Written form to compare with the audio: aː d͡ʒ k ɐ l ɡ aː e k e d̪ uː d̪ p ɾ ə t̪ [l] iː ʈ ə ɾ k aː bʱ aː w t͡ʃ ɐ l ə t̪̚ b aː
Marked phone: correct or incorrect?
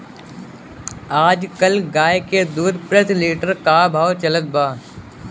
correct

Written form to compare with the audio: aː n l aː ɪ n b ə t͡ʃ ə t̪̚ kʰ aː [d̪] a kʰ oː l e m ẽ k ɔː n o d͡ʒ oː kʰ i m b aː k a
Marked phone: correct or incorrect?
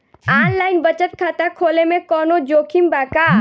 incorrect: t̪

